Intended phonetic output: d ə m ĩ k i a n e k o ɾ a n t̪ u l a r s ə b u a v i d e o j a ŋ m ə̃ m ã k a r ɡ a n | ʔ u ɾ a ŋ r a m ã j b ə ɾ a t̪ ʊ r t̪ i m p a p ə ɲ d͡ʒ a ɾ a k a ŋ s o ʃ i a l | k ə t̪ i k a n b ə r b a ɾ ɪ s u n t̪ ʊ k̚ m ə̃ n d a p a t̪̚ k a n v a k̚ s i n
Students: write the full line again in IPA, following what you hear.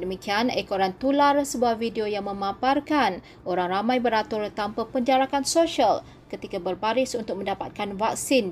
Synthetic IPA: d ə m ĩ k i a n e k o ɾ a n t̪ u l a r s ə b u a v i d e o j a ŋ m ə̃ m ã p a r k a n | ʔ o ɾ a ŋ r a m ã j b ə ɾ a t̪ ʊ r t̪ a m p a p ə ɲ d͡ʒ a ɾ a k a n s o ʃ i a l | k ə t̪ i k a b ə r b a ɾ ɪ s u n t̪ ʊ k̚ m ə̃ n d a p a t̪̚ k a n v a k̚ s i n